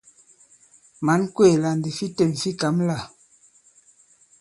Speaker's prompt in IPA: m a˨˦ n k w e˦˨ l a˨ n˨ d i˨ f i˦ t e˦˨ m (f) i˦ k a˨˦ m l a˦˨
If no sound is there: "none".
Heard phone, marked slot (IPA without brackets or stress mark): f